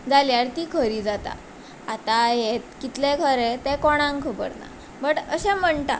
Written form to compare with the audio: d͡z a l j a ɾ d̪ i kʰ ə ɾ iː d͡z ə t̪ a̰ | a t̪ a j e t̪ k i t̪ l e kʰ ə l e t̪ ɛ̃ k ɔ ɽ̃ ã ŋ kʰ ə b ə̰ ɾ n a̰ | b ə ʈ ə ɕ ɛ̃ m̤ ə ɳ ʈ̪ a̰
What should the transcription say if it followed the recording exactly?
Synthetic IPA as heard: d͡z a l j a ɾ t̪ i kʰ ə ɾ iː d͡z a t̪ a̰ | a t̪ a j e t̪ k i t̪ l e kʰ ə ɾ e t̪ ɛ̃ k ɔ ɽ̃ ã ŋ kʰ ə b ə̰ ɾ n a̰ | b ə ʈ ə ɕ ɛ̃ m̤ ə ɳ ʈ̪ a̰